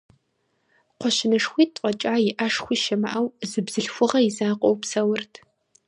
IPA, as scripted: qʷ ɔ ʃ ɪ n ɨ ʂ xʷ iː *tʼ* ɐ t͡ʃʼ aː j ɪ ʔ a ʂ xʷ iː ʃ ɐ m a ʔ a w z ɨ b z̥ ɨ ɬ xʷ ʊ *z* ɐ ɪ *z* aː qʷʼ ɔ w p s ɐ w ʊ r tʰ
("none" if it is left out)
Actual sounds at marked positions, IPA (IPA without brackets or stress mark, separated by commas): tʼ, ʁ, z